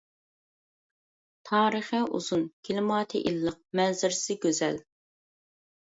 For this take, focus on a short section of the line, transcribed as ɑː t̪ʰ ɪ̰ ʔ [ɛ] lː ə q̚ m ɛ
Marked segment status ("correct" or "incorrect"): incorrect